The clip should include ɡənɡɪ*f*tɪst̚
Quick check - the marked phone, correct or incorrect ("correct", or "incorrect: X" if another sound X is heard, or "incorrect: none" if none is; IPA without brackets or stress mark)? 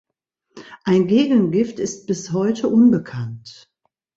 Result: correct